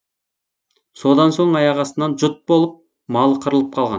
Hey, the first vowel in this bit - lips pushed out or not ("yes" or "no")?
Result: yes